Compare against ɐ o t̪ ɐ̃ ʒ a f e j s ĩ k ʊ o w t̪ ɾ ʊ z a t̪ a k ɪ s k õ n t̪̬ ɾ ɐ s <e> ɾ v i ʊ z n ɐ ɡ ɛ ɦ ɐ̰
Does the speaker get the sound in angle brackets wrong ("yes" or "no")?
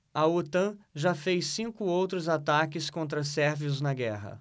yes